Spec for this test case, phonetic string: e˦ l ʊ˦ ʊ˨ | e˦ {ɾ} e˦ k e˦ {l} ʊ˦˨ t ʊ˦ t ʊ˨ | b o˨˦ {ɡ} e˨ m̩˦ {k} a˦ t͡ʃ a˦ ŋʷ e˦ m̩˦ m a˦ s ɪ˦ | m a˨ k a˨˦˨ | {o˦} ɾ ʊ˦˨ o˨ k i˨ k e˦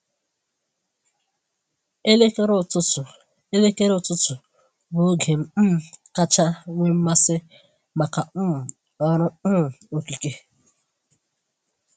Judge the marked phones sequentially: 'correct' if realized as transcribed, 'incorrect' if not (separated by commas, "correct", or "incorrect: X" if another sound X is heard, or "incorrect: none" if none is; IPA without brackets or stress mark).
incorrect: l, incorrect: ɾ, correct, correct, incorrect: ɔ˦